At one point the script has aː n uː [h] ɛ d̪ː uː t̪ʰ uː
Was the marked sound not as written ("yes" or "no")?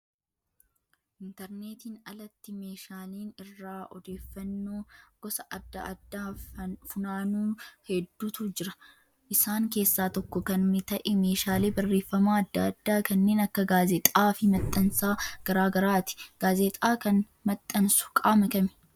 no